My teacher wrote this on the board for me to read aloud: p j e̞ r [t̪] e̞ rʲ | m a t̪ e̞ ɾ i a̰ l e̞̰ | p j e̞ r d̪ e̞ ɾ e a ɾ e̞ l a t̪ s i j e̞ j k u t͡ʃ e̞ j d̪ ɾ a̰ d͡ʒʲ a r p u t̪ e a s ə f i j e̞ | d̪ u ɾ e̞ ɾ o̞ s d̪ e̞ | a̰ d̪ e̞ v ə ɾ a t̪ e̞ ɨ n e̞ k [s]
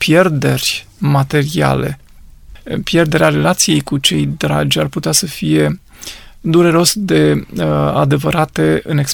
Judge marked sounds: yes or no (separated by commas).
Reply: no, yes